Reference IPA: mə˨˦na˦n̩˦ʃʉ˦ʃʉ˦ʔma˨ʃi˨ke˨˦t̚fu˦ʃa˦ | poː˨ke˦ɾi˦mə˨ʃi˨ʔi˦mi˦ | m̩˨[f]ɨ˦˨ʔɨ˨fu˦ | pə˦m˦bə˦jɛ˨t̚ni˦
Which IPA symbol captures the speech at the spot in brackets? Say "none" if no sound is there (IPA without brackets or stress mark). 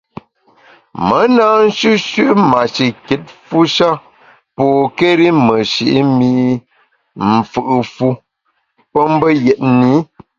f